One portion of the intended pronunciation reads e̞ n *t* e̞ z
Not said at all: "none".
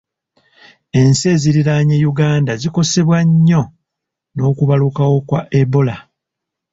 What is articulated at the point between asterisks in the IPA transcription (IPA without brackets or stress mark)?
s